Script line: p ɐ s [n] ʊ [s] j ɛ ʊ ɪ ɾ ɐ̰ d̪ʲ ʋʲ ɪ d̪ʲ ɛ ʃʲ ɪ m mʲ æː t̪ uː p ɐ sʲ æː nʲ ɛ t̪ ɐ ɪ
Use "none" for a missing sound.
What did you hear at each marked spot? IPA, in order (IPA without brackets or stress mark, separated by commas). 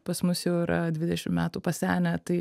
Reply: m, s